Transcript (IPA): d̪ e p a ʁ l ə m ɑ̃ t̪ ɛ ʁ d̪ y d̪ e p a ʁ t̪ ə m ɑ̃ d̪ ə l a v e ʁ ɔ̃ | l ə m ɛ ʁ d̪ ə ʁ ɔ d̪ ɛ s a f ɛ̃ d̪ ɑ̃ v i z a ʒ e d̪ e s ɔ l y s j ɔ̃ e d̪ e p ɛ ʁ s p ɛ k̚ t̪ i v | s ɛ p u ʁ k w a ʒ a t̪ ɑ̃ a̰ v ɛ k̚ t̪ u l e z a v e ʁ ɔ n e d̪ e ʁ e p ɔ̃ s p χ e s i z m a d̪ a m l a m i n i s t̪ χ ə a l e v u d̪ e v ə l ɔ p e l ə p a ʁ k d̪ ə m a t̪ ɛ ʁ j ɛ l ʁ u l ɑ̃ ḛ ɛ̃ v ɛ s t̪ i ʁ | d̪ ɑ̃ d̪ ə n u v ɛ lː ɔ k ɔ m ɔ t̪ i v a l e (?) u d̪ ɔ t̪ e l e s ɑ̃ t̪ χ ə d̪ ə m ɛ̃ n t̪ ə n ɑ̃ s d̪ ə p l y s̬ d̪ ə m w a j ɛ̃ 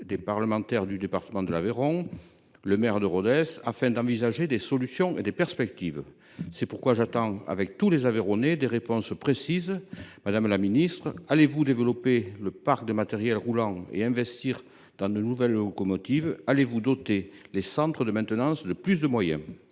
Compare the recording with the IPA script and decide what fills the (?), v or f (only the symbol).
v